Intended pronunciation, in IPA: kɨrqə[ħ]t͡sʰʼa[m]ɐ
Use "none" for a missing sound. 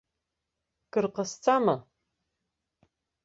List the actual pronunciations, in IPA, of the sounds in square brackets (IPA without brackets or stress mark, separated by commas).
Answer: s, m